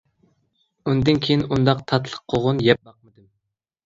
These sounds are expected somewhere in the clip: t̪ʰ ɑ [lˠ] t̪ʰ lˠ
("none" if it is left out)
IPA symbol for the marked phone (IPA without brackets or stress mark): none